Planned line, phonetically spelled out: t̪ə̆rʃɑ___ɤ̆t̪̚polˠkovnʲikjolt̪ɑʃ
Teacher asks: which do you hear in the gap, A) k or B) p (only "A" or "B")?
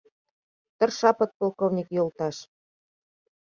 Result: B